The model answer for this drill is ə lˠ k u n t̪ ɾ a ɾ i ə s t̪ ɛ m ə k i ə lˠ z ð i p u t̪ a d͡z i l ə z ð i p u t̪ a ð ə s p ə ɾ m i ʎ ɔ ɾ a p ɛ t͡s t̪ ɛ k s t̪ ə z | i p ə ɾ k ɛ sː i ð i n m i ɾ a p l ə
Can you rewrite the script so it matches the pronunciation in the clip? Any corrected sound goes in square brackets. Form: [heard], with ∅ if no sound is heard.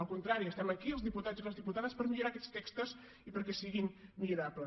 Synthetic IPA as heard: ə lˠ k u n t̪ ɾ a ɾ i ə s t̪ ɛ m ə k i ə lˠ z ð i p u t̪ a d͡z i l ə z ð i p u t̪ a ð ə s p ə ɾ m i ʎ [u] ɾ a [k] ɛ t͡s t̪ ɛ k s t̪ ə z | i p ə ɾ k ɛ [s] i [ɣ] i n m i ɾ a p l ə